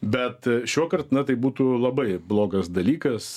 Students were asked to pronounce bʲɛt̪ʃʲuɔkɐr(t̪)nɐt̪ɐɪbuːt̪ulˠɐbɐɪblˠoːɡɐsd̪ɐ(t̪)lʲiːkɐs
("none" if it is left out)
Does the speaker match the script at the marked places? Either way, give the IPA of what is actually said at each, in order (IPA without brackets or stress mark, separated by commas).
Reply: t̪, none